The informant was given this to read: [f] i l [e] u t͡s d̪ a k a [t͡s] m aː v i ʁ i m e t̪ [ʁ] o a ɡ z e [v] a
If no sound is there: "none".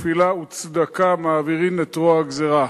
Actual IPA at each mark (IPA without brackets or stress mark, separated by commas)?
f, a, none, ʁ, ʁ